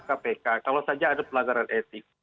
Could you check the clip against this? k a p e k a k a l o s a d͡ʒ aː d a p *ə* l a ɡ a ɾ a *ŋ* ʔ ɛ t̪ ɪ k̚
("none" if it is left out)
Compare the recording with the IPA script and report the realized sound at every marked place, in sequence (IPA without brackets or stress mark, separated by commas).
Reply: ə, n